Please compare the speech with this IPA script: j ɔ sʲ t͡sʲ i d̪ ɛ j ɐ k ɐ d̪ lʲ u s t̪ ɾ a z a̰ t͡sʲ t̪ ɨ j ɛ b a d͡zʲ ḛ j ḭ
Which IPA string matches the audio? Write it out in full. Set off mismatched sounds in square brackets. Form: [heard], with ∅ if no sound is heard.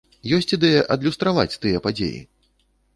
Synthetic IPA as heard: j ɔ sʲ t͡sʲ i d̪ ɛ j ɐ [ʔ] ɐ d̪ lʲ u s t̪ ɾ a [v] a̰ t͡sʲ t̪ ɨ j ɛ [p] a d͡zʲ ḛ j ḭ